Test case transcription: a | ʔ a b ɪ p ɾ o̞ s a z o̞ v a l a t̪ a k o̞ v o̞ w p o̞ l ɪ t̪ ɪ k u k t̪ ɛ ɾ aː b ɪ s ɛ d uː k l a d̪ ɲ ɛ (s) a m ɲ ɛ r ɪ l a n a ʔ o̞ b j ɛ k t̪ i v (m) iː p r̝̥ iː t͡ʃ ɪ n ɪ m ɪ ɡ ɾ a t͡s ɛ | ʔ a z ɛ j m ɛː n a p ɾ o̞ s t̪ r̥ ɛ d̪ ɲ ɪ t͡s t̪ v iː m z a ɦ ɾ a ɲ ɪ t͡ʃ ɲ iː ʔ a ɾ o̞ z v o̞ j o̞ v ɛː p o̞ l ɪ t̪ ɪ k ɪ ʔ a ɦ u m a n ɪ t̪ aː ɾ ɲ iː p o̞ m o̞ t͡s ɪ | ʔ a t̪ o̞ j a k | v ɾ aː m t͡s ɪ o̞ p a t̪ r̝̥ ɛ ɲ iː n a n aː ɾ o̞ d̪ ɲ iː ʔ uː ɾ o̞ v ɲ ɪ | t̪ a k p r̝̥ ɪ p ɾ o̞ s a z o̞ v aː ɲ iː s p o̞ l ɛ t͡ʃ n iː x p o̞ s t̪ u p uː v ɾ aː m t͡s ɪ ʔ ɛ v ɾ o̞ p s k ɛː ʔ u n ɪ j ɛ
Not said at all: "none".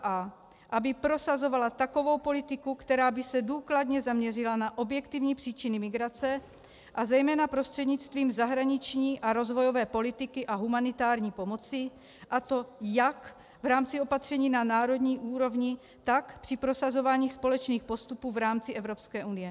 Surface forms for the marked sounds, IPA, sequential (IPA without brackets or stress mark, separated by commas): z, ɲ